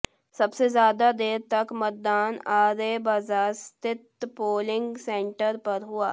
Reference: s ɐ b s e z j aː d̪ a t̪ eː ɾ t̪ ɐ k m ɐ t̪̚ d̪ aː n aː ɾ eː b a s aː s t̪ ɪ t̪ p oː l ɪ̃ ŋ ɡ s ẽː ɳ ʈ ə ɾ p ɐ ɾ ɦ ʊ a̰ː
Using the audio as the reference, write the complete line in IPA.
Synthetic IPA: s ɐ b s e z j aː d̪ a d̪ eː ɾ t̪ ɐ k m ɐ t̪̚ d̪ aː n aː ɾ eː b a z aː s t̪ ɪ t̪ p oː l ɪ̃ ŋ ɡ s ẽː ɳ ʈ ə ɾ p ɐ ɾ ɦ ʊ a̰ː